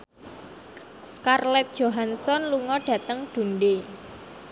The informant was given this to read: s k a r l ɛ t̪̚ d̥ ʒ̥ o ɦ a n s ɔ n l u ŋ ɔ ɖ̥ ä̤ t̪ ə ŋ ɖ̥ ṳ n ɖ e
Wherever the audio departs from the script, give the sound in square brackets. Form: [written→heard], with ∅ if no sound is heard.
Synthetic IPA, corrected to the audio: s k a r l ɛ t̪̚ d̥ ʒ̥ o ɦ a n s ɔ n l u ŋ ɔ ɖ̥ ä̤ t̪ ə ŋ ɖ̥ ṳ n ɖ e